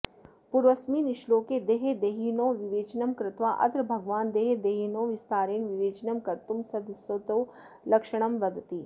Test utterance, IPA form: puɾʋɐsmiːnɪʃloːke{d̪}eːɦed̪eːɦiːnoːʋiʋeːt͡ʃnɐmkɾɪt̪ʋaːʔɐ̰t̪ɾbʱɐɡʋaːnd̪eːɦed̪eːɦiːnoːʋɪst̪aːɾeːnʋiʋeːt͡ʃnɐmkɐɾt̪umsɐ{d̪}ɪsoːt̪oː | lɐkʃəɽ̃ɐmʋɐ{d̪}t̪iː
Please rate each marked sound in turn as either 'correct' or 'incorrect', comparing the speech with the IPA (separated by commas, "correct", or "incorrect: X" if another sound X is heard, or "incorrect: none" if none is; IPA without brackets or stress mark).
correct, correct, correct